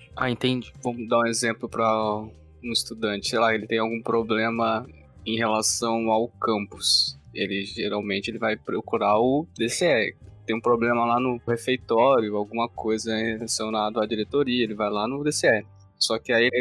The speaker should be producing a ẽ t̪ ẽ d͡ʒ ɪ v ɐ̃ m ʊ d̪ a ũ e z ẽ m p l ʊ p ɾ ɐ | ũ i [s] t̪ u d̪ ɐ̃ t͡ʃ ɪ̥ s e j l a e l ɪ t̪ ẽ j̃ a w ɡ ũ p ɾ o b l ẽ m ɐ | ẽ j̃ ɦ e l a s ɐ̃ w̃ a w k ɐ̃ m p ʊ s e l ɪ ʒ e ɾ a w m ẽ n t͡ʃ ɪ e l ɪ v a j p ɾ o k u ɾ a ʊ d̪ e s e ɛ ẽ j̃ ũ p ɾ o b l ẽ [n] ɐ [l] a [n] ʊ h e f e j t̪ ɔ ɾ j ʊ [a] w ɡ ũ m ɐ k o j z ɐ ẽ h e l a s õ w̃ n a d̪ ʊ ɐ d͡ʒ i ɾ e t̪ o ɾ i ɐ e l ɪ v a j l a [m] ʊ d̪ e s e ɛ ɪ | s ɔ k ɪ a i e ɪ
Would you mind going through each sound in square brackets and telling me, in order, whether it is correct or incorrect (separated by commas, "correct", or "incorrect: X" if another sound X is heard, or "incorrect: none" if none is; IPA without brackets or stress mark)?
correct, incorrect: m, correct, correct, correct, incorrect: n